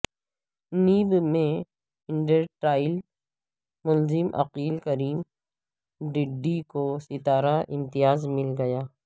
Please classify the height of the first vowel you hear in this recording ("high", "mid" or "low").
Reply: high